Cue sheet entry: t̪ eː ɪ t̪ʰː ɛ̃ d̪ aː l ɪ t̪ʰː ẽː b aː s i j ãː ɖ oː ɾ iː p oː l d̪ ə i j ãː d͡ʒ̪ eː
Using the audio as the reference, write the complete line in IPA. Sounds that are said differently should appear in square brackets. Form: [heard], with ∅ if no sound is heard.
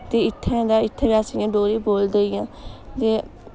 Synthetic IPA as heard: t̪ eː ɪ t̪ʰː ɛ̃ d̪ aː [∅] ɪ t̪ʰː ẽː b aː s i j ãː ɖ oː ɾ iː [b] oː l d̪ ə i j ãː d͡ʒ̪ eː